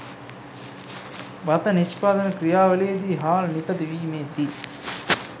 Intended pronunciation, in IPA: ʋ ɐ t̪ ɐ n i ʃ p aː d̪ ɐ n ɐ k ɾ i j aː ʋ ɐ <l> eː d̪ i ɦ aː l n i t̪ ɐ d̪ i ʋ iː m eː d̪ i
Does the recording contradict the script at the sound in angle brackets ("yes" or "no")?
no